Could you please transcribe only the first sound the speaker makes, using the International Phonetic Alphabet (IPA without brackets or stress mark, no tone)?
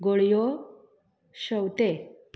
ɡ